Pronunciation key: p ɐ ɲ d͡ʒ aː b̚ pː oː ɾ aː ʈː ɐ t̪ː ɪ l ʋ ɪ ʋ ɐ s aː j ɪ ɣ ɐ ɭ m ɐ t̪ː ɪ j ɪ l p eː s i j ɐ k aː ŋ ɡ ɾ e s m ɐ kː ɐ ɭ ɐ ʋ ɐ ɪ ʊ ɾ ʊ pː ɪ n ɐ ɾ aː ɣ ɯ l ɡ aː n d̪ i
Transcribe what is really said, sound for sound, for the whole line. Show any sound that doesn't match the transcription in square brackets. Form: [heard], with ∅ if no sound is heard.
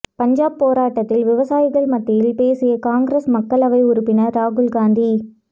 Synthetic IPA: p ɐ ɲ d͡ʒ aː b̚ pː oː ɾ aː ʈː ɐ t̪ː ɪ l ʋ ɪ ʋ ɐ s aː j ɪ ɣ ɐ ɭ m ɐ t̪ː ɪ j ɪ l p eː s [ɪ] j ɐ k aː ŋ ɡ ɾ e s m ɐ kː ɐ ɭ ɐ ʋ ɐ ɪ ʊ ɾ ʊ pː ɪ n ɐ ɾ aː ɣ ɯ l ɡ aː n d̪ i